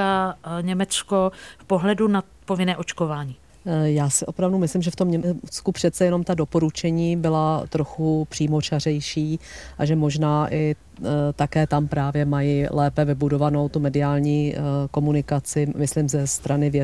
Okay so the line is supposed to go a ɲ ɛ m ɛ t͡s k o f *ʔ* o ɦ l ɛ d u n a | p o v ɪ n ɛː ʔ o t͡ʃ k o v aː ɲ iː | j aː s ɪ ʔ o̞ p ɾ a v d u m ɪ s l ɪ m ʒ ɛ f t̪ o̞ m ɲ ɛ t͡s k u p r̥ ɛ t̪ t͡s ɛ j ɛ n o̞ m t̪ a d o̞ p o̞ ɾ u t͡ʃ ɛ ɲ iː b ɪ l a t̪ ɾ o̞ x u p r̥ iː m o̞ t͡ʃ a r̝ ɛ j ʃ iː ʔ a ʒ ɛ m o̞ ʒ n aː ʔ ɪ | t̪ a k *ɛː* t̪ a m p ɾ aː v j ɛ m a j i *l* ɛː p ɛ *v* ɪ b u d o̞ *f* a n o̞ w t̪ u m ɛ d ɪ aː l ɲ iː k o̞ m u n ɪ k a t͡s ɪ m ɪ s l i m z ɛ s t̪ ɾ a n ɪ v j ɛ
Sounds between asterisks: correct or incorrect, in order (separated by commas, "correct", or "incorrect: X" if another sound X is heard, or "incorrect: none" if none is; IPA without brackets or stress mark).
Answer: incorrect: p, correct, correct, correct, incorrect: v